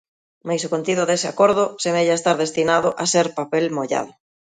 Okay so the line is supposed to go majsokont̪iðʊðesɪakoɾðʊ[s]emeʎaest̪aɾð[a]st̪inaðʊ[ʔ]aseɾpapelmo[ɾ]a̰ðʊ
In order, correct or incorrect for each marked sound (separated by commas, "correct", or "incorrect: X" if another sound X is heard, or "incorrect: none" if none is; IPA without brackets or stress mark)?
correct, incorrect: e, correct, incorrect: ʎ